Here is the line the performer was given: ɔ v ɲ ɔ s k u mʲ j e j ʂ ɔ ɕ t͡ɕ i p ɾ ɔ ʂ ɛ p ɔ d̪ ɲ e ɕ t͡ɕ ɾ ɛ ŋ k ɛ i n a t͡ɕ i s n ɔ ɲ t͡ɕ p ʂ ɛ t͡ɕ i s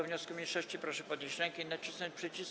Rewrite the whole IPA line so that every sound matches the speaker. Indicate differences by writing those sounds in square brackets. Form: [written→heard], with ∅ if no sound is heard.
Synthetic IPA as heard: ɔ v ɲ ɔ s k u mʲ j e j ʂ ɔ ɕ t͡ɕ i p ɾ ɔ ʂ ɛ p ɔ d̪ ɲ e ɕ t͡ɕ ɾ ɛ ŋ k ɛ i n a t͡ɕ i s n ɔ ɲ t͡ɕ p ʂ ɛ t͡ɕ i s